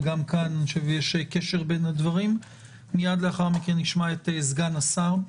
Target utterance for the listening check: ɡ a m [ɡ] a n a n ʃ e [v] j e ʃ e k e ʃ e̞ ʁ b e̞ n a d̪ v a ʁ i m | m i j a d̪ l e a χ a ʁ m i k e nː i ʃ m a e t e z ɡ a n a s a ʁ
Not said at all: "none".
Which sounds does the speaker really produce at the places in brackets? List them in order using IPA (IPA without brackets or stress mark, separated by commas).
k, v